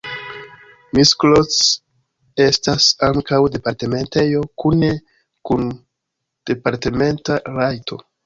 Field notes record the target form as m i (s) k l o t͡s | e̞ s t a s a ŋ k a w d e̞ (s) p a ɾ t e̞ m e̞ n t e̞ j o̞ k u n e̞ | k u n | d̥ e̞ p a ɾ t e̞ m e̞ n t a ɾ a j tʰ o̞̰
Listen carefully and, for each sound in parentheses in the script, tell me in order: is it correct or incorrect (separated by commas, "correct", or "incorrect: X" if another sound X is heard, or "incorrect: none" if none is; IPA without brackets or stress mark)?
correct, incorrect: none